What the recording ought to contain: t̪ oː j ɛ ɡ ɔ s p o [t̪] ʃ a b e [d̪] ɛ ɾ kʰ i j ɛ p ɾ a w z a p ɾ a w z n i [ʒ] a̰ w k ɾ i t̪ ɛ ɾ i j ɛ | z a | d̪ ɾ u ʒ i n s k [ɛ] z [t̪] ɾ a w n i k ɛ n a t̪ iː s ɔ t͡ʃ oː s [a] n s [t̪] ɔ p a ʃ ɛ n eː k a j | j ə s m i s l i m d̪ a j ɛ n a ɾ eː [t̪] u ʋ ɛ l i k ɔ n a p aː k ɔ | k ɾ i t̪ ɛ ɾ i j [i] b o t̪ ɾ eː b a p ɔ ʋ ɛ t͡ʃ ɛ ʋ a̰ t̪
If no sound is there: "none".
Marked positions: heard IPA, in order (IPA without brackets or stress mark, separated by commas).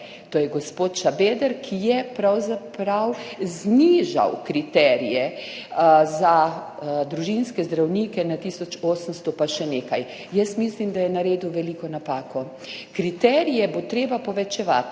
t̪, d̪, ʒ, ɛ, d̪, ə, t̪, d̪, ɛ